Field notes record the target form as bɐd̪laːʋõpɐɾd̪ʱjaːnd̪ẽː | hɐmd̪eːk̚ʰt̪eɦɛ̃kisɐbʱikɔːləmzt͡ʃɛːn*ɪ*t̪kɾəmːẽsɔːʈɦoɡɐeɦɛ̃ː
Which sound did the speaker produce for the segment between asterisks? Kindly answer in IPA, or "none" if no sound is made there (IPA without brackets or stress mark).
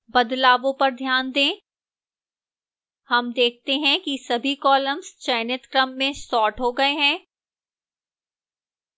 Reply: ɪ